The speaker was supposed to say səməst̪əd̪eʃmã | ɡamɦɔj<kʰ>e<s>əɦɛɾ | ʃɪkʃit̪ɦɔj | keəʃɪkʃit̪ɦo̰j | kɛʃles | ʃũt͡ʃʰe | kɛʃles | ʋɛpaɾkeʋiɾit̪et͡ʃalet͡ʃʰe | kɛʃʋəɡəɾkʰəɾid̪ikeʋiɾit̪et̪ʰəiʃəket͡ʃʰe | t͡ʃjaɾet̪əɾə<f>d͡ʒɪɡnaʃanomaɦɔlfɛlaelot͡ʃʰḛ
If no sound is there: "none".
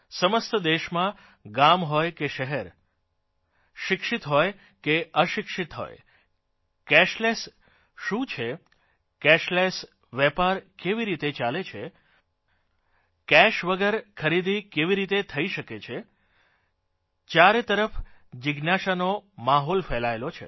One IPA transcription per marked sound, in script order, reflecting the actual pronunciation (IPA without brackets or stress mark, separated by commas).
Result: k, ʃ, f